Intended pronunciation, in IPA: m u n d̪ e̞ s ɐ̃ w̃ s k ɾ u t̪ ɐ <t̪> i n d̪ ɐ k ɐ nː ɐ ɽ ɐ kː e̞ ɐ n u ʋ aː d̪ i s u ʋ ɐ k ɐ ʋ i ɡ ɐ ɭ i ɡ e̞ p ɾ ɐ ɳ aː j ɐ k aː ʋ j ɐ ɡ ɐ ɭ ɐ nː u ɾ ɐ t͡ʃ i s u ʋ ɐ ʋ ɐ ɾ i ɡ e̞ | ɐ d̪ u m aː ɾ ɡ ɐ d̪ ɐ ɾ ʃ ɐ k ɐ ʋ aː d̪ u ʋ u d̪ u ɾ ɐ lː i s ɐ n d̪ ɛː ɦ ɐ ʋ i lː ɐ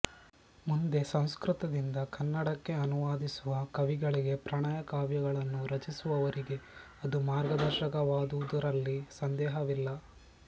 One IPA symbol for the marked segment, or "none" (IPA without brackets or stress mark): d̪